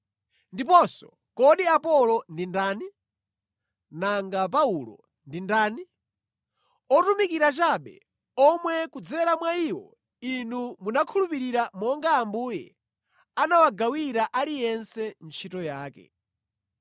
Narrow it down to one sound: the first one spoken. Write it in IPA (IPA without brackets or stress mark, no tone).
n